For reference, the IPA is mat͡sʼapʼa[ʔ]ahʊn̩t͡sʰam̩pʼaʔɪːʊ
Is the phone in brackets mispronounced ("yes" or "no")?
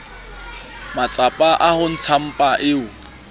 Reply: no